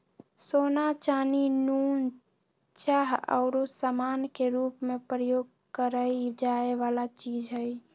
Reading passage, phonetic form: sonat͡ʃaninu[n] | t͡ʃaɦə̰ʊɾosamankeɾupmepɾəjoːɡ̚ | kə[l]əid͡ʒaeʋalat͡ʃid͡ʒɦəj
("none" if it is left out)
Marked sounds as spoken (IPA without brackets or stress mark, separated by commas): n, ɾ